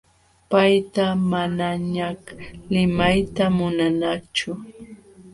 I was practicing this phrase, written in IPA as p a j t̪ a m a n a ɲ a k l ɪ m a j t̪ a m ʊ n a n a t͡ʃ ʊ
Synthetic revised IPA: p a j t̪ a m a n a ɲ a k l ɪ m a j t̪ a m ʊ n a n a t͡ʃ ʊ